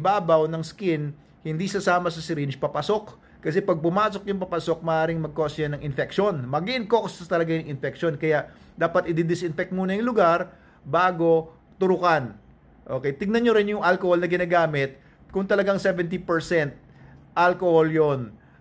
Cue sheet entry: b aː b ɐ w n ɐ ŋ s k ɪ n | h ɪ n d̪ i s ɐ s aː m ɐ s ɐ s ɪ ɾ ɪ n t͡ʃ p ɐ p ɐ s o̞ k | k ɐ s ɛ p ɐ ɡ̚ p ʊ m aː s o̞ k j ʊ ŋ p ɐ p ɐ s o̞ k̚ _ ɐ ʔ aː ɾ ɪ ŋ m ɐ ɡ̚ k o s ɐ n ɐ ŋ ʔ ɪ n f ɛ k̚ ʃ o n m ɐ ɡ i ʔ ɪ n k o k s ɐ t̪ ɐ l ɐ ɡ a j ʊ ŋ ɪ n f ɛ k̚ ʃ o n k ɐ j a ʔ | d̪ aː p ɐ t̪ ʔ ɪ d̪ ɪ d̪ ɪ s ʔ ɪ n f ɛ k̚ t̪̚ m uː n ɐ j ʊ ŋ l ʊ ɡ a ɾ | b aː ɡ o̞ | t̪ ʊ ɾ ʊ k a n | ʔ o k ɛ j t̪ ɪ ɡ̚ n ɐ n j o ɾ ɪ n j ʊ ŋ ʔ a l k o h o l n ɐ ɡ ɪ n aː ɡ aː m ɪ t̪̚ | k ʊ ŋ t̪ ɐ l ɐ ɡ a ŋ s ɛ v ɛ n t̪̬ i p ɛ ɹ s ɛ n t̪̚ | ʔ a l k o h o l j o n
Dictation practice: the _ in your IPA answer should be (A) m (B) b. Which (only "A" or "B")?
A